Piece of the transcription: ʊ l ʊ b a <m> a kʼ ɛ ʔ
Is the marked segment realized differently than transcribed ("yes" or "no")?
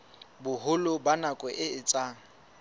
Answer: yes